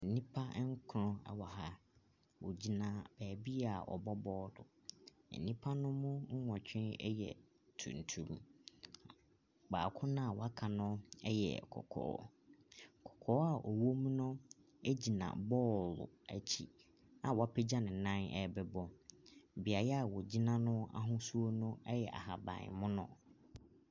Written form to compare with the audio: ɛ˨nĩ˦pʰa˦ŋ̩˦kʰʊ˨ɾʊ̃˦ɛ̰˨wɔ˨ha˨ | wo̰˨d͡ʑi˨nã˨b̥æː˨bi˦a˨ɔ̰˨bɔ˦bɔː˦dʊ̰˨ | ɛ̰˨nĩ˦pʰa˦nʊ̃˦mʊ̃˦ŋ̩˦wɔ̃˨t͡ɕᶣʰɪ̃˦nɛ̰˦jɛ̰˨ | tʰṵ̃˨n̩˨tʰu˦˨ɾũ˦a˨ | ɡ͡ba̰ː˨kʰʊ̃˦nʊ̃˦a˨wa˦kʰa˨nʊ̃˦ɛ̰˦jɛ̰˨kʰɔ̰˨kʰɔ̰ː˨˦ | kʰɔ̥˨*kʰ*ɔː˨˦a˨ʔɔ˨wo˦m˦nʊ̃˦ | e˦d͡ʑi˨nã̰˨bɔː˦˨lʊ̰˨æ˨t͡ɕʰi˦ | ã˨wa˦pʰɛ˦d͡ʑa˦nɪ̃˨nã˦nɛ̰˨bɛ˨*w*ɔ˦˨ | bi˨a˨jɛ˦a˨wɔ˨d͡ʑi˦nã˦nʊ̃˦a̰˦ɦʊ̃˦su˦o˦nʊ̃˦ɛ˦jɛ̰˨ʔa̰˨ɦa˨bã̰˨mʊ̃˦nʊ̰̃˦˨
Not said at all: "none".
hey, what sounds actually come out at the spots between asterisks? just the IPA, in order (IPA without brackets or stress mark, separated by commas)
kʰ, b